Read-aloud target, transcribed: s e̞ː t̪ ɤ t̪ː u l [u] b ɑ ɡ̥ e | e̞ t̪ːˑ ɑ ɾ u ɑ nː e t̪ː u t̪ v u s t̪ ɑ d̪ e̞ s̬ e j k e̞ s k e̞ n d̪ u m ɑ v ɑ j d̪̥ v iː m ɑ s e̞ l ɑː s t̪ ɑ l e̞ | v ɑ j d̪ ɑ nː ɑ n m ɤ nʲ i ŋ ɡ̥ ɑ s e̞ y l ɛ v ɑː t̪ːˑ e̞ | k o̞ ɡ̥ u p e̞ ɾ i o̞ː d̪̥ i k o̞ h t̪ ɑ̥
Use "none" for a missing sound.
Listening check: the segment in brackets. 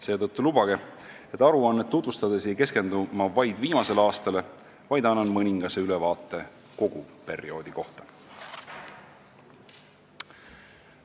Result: u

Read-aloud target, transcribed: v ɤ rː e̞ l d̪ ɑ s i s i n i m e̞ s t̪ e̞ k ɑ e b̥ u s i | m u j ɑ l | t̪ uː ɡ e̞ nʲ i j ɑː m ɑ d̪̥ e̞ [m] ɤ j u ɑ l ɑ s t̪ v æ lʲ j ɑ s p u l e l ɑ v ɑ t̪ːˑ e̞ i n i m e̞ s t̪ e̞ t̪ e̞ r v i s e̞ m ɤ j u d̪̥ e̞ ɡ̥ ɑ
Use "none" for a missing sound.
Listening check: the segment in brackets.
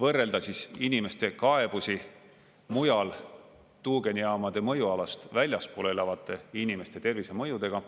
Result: m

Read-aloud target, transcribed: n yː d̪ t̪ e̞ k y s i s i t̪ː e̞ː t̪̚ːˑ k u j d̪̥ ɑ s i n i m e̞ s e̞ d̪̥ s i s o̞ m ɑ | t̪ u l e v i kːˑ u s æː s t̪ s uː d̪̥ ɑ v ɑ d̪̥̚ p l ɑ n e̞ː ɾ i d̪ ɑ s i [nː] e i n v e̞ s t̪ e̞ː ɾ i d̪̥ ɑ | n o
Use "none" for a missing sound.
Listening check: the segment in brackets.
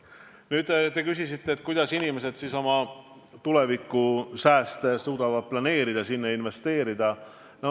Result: nː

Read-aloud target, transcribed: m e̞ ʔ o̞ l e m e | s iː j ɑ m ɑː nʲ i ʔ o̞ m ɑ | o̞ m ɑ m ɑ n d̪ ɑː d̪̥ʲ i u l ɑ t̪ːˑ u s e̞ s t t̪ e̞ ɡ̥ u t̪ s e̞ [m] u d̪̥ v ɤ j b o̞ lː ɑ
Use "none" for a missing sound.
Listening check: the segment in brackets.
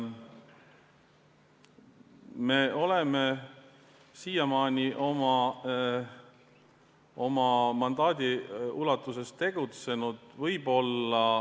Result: n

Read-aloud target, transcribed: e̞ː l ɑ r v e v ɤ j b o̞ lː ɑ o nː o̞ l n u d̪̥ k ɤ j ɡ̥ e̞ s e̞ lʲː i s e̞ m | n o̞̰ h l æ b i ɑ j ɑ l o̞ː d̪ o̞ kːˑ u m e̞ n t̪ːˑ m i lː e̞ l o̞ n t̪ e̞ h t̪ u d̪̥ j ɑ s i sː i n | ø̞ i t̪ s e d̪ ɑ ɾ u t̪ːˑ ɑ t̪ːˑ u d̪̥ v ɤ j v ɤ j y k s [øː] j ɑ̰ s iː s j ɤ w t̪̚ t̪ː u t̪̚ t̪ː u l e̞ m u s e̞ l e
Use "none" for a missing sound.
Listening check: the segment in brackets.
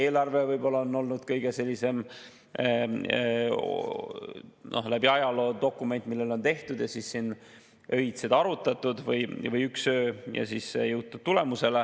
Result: øː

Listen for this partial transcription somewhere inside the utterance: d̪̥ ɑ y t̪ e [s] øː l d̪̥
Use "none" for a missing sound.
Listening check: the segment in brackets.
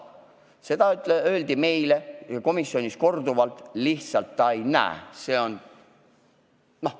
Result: none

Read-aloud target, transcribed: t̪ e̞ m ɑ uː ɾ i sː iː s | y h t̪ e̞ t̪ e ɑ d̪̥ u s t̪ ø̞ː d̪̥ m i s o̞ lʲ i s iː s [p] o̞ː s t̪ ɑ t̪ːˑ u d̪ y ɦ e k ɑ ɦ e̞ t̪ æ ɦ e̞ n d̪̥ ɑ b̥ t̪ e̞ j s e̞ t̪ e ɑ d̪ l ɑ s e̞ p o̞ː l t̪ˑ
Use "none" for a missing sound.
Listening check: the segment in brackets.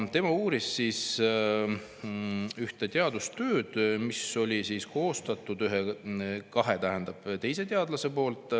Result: k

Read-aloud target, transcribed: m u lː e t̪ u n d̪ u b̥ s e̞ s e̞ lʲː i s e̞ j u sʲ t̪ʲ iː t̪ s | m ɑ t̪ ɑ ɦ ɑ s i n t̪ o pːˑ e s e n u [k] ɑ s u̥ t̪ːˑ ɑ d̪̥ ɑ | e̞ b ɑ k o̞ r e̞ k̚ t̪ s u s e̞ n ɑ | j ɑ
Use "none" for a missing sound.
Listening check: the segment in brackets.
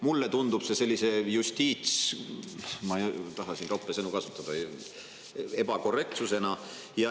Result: k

